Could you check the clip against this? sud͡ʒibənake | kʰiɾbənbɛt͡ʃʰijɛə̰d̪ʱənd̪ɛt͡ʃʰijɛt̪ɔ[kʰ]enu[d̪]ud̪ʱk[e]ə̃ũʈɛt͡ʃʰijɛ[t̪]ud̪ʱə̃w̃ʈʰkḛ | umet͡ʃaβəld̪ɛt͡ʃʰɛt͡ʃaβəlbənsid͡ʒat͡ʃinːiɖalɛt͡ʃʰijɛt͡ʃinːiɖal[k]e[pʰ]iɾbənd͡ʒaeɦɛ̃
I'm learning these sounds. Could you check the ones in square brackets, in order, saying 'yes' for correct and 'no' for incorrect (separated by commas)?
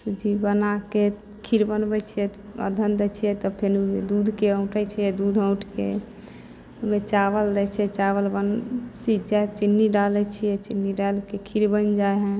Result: no, yes, yes, no, yes, no